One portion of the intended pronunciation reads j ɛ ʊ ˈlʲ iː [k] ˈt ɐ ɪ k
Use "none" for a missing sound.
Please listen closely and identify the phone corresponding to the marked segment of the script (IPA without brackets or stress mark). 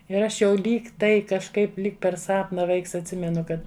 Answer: k